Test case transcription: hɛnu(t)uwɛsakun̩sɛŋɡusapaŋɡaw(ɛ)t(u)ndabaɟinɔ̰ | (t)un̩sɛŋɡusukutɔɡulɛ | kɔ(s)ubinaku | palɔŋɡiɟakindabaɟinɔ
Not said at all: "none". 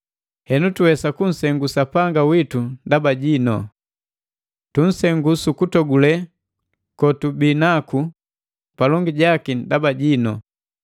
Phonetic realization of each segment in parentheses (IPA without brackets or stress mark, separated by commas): t, i, u, t, t